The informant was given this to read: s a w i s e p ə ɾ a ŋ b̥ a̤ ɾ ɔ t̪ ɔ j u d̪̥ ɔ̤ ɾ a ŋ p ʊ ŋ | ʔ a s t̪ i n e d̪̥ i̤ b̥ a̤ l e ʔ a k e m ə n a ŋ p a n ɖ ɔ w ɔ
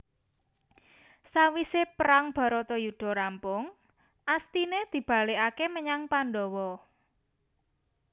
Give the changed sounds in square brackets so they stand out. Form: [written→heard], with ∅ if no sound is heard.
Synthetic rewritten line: s a w i s e p ə ɾ a ŋ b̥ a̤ ɾ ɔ t̪ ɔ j u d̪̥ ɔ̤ ɾ a [ŋ→m] p ʊ ŋ | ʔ a s t̪ i n e d̪̥ i̤ b̥ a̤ l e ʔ a k e m ə [n→ɲ] a ŋ p a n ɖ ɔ w ɔ